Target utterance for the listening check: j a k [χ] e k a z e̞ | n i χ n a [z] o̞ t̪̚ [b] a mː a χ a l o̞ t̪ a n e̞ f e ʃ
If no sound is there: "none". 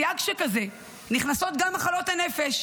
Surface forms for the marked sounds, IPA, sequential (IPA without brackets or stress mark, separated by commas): ʃ, s, ɡ